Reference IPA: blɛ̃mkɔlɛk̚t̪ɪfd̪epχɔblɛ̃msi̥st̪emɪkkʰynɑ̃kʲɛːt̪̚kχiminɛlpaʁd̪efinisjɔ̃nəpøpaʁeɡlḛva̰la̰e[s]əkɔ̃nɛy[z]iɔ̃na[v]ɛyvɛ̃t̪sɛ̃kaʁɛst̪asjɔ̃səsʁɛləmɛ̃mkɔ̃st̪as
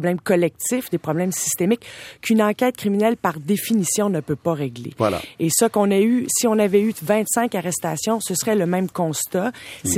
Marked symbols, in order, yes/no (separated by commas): yes, no, yes